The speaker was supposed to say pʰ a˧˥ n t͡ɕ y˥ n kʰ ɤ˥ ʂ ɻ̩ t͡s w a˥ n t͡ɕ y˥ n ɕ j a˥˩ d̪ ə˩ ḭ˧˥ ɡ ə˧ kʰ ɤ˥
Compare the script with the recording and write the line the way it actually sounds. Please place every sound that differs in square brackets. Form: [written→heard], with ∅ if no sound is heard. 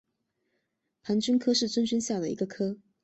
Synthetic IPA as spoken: pʰ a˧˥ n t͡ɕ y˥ n kʰ ɤ˥ ʂ ɻ̩ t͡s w [a˥→ə˥] n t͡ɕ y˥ n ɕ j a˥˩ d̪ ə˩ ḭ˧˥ ɡ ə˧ kʰ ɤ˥